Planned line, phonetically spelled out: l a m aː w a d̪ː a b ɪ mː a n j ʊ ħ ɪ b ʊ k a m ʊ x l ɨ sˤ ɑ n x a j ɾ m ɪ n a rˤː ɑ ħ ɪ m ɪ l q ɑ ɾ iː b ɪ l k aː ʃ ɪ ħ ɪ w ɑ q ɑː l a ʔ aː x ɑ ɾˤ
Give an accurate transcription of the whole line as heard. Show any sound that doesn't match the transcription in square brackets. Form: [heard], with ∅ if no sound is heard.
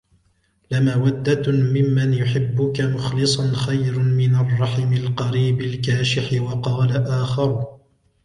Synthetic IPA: l a m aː w a d̪ː a [m] ɪ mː a n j ʊ ħ ɪ [bː] ʊ k a m ʊ x l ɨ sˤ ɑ n x a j ɾ m ɪ n a rˤː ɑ ħ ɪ m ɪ l q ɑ ɾ iː b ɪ l k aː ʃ ɪ ħ ɪ w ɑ q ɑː l a ʔ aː x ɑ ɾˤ